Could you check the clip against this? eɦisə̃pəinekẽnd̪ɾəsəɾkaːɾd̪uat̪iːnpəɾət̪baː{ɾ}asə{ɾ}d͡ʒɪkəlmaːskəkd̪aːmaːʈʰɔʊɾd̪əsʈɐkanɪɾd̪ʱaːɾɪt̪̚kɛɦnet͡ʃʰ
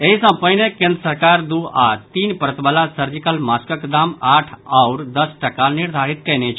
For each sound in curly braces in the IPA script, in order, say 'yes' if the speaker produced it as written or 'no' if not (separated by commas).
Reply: no, yes